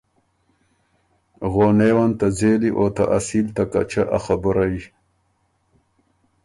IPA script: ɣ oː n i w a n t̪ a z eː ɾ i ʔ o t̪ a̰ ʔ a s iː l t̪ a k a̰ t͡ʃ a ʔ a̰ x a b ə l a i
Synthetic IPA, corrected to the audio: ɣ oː n e w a n t̪ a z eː l i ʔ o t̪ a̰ ʔ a s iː l t̪ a k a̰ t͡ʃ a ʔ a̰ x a b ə ɾ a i